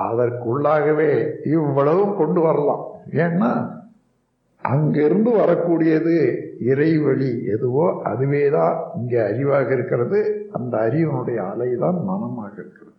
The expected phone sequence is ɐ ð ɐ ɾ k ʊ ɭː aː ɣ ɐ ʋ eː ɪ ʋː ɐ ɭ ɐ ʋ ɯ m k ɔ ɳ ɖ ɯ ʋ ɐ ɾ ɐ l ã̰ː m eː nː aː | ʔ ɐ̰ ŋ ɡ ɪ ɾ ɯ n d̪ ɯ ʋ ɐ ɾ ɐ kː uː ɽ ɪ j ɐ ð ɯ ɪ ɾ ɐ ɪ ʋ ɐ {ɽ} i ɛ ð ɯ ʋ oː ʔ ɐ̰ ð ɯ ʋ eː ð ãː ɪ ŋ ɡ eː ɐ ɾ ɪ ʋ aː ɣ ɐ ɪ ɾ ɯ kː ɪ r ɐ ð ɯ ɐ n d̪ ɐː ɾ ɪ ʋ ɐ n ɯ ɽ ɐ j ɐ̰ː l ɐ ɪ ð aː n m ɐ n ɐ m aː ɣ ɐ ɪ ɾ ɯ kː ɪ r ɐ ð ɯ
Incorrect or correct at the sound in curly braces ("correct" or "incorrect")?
incorrect